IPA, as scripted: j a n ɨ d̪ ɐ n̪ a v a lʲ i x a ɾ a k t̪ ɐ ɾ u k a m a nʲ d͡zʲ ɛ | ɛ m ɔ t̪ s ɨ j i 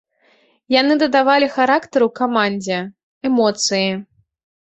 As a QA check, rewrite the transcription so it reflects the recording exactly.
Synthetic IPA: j a n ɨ d̪ ɐ d̪ a v a lʲ i x a ɾ a k t̪ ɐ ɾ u k a m a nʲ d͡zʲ ɛ | ɛ m ɔ t̪ s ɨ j i